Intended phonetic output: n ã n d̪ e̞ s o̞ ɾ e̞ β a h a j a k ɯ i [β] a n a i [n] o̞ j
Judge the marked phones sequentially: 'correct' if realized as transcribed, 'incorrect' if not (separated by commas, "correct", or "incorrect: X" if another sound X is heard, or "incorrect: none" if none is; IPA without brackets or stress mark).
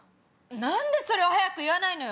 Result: correct, correct